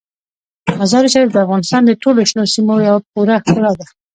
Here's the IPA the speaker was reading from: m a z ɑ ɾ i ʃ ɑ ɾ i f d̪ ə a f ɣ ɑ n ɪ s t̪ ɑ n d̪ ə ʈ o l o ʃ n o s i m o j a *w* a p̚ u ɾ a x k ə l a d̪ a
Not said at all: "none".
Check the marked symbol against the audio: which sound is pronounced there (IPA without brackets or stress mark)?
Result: w